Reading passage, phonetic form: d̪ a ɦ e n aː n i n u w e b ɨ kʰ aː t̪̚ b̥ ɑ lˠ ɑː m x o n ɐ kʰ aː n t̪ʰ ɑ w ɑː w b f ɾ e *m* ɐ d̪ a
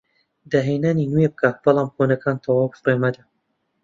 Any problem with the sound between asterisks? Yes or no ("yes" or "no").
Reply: no